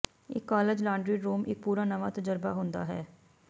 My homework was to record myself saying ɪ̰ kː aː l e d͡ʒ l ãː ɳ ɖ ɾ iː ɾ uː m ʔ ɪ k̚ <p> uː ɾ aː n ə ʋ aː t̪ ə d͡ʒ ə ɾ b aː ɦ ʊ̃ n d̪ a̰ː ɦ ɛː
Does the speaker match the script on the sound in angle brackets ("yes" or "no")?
yes